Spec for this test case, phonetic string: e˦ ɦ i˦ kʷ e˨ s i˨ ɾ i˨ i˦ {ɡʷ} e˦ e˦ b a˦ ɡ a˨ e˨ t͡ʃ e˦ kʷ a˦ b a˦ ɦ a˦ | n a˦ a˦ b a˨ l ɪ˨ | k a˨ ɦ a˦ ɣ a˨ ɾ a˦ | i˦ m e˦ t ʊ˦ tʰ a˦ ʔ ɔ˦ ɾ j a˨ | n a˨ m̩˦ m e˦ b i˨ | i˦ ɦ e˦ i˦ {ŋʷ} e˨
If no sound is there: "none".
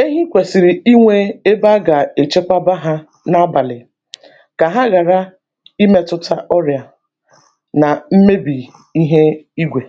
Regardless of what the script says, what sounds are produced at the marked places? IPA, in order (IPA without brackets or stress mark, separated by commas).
ŋʷ, ɡʷ